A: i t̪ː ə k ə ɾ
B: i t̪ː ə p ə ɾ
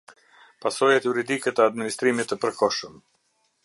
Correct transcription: B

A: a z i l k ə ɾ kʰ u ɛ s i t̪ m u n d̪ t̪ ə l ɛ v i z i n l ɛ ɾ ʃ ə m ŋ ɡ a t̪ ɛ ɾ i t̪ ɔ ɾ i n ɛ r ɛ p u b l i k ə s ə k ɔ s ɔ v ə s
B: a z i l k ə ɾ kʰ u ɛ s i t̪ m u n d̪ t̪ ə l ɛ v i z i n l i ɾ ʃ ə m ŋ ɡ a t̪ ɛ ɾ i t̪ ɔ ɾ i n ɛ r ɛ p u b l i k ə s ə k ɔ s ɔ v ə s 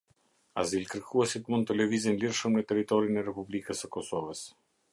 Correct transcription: B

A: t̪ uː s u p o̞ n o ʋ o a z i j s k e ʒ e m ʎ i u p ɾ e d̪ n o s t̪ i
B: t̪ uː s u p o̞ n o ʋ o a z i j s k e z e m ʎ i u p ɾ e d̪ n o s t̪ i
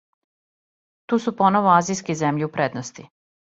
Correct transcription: B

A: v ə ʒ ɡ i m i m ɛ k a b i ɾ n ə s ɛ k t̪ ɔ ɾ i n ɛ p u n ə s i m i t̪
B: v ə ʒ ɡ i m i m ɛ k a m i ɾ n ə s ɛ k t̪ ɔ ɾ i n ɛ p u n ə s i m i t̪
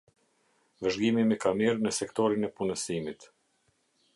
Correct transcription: B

